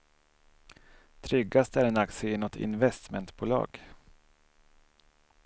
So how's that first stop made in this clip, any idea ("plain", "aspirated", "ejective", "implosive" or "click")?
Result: aspirated